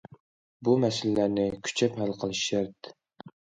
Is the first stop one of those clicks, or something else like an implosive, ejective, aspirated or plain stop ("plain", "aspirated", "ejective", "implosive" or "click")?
plain